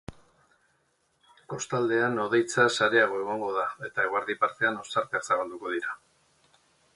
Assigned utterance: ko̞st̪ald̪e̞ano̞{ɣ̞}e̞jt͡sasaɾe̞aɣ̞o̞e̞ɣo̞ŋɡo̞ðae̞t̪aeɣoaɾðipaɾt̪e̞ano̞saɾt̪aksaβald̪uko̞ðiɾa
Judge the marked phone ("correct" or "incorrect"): incorrect